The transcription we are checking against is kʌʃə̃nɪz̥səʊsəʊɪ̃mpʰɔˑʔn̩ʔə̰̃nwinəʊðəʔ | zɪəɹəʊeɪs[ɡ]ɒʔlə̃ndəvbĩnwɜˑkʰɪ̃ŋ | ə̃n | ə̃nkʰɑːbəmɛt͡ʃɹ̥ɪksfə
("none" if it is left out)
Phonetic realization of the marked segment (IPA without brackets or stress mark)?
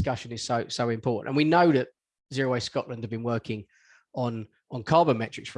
k